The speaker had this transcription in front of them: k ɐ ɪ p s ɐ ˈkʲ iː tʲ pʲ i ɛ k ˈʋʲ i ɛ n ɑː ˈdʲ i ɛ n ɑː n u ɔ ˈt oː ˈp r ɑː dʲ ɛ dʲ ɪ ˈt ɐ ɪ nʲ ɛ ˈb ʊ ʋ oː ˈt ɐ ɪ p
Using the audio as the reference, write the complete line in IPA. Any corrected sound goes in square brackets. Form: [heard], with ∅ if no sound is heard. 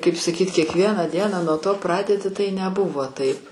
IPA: k ɐ ɪ p s ɐ ˈkʲ iː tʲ [kʲ] i ɛ k ˈʋʲ i ɛ n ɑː ˈdʲ i ɛ n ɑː n u ɔ ˈt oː ˈp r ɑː dʲ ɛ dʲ ɪ ˈt ɐ ɪ nʲ ɛ ˈb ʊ ʋ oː ˈt ɐ ɪ p